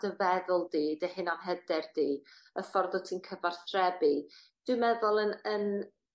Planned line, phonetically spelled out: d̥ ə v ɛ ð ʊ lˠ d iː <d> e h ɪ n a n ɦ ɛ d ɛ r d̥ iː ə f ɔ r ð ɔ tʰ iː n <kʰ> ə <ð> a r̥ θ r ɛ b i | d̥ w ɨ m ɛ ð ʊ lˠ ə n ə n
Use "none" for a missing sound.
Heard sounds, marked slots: d, kʰ, v

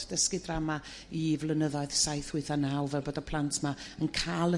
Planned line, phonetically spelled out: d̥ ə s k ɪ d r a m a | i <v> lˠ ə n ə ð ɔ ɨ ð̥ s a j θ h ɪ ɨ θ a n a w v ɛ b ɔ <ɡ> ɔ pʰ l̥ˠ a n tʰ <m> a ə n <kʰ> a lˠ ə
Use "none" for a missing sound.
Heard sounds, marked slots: v, d, m, kʰ

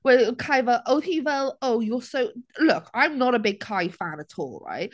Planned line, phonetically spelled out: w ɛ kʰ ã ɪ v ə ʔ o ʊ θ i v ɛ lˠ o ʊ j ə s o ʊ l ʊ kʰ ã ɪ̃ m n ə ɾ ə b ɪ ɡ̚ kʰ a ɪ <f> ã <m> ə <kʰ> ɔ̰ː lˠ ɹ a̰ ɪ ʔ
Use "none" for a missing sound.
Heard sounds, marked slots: f, n, tʰ

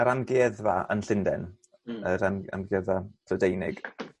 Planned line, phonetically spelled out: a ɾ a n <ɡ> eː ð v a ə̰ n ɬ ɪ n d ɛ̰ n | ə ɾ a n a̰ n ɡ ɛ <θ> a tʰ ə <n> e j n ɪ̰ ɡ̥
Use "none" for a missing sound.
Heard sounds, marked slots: ɡ, ð, d

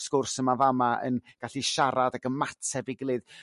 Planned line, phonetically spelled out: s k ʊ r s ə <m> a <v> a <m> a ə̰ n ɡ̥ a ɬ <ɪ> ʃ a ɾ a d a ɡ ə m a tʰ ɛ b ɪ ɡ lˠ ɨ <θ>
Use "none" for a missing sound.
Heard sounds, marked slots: m, v, m, i, ð

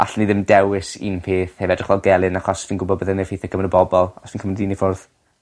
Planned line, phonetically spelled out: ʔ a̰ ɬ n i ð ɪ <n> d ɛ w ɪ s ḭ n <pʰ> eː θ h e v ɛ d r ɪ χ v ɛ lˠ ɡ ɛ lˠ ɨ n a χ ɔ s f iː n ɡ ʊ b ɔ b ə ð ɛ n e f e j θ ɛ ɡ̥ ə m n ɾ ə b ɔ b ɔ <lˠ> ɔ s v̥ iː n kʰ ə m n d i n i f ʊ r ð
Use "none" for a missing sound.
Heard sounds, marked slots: m, pʰ, lˠ

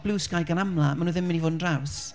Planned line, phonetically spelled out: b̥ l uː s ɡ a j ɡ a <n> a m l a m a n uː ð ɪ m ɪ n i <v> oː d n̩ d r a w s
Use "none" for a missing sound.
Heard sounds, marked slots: n, v

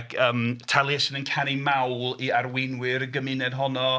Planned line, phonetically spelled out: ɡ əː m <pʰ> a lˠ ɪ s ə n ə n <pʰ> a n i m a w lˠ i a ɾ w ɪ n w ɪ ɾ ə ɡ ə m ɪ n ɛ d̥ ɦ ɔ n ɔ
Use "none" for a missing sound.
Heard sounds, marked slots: tʰ, kʰ

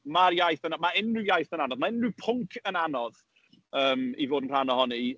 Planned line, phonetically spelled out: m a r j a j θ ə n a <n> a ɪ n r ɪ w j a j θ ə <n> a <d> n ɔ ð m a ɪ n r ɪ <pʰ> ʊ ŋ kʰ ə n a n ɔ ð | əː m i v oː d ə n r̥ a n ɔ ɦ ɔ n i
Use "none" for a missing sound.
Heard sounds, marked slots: m, n, none, pʰ

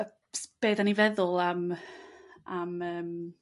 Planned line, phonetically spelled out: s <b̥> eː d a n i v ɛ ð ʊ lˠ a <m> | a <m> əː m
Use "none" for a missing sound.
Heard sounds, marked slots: b̥, m, m

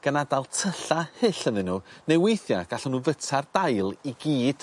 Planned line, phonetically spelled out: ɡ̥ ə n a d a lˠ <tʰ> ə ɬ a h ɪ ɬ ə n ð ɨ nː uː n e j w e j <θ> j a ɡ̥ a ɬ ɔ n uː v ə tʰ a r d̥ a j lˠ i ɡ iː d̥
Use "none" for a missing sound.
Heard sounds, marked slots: tʰ, θ

